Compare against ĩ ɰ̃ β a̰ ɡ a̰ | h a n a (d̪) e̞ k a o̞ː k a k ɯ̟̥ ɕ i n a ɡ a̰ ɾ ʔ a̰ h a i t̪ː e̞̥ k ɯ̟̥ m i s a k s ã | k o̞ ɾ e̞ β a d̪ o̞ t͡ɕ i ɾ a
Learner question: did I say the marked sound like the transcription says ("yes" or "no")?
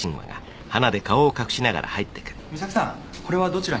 yes